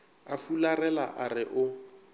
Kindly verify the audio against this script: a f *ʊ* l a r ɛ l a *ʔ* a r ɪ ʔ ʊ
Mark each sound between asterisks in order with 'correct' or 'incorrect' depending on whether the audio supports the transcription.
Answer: incorrect: u, correct

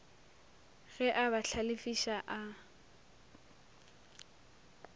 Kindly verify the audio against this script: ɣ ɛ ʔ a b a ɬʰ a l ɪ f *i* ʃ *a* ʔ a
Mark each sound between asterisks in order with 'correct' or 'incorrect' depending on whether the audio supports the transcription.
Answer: correct, correct

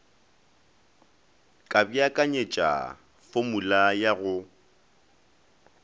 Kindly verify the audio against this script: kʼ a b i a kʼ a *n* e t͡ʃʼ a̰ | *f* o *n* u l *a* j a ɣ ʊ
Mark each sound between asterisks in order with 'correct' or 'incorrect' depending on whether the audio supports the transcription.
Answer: incorrect: ɲ, correct, incorrect: m, correct

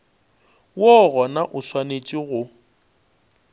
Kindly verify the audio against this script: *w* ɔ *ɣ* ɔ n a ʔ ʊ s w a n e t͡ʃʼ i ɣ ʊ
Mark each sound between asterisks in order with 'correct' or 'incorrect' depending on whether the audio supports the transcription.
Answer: correct, correct

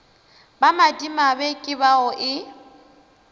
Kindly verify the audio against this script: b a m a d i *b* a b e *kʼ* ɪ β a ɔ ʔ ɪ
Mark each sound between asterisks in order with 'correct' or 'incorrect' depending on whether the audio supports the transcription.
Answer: incorrect: m, correct

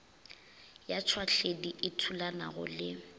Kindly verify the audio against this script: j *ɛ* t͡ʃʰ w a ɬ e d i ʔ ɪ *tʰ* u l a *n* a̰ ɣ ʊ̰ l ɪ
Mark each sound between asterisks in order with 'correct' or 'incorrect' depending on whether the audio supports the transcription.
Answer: incorrect: a, correct, correct

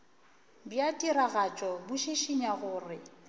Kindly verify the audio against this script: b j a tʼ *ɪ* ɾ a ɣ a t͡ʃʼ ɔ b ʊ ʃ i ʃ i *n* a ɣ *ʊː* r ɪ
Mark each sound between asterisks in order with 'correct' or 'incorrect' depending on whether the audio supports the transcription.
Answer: incorrect: i, incorrect: ɲ, correct

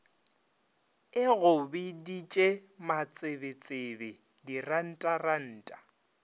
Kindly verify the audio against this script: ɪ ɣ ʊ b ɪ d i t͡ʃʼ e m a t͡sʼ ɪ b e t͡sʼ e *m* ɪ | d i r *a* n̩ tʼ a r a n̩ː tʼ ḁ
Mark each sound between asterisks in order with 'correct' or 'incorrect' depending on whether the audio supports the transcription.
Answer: incorrect: b, correct

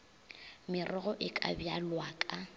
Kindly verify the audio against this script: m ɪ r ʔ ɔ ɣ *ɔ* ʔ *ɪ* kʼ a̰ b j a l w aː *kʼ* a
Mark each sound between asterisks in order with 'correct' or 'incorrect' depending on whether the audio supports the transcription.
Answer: correct, correct, correct

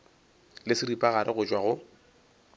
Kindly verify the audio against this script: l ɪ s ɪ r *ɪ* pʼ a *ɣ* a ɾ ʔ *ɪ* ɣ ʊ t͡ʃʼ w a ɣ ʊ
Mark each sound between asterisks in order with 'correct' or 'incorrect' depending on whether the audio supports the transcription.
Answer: incorrect: i, correct, correct

